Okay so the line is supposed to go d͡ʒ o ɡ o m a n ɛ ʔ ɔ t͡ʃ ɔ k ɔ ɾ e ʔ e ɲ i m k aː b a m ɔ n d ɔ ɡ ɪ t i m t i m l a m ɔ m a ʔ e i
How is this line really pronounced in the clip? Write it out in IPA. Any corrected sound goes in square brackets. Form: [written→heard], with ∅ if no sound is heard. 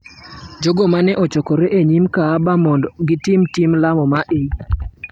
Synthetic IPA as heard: d͡ʒ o ɡ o m a n ɛ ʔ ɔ t͡ʃ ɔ k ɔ ɾ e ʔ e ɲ i m k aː b a m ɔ n d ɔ ɡ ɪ t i m t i m l a m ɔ m a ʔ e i